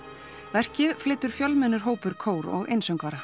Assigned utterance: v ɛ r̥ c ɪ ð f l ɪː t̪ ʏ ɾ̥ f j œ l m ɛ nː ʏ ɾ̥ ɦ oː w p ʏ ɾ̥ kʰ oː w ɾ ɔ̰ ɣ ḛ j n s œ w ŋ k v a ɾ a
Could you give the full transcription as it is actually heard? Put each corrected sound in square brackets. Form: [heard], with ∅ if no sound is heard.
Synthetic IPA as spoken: v ɛ r̥ c ɪ ð f l ɪː t̪ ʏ ɾ̥ f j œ l m ɛ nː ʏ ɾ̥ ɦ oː w p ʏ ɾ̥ kʰ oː w ɾ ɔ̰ ɣ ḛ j n s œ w ŋ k v a ɾ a